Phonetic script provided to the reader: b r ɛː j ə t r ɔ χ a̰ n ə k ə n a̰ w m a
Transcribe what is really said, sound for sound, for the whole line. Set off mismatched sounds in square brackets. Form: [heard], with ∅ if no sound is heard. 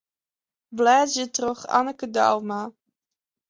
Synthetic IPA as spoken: b [l] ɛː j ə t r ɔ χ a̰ n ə k ə [d] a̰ w m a